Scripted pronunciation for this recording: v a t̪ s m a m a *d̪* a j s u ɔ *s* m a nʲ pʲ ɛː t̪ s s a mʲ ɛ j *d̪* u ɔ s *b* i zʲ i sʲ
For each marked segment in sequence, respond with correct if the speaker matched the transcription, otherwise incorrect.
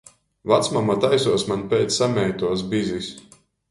incorrect, correct, incorrect, correct

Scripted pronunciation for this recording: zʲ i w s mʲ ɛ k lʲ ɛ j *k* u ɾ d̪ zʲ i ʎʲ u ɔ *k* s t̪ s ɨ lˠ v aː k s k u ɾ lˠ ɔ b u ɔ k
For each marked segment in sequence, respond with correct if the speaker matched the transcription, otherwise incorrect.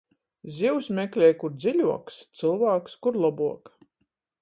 correct, correct

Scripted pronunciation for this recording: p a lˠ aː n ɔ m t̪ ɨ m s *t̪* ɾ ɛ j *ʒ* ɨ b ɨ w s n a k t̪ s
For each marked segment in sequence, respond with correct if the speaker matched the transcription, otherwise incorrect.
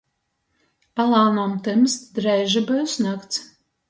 incorrect, correct

